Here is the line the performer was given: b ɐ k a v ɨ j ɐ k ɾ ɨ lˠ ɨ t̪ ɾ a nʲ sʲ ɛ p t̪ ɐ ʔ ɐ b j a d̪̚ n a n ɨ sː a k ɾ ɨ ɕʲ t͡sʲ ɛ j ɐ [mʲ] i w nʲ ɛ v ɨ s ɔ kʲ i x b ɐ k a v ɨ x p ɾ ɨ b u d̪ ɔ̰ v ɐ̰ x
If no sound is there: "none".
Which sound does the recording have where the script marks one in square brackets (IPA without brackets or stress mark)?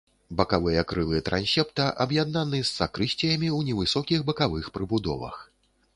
mʲ